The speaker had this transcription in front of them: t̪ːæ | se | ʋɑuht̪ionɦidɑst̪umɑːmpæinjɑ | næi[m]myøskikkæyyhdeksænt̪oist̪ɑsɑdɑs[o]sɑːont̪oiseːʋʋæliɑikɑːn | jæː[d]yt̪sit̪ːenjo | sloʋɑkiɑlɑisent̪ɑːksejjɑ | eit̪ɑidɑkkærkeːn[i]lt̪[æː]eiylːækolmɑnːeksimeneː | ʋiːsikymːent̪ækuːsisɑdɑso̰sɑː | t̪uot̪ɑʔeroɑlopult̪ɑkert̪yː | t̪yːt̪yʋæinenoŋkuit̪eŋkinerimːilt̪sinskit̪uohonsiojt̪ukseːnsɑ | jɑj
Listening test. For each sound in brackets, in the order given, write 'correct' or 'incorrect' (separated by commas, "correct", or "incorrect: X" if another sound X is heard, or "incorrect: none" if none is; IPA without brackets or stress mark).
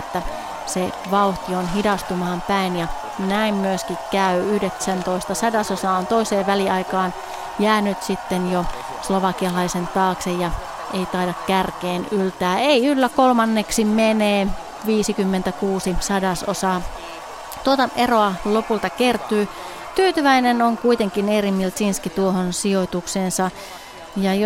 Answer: correct, correct, incorrect: n, incorrect: y, correct